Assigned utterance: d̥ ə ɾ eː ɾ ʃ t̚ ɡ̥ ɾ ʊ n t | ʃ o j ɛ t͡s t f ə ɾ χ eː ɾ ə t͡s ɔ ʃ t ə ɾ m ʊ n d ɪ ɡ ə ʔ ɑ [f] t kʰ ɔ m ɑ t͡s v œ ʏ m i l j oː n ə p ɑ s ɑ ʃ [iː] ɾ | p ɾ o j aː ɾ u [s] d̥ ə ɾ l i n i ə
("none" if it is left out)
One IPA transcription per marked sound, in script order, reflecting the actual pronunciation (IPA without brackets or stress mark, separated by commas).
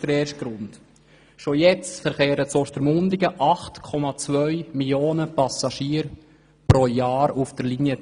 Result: χ, iː, f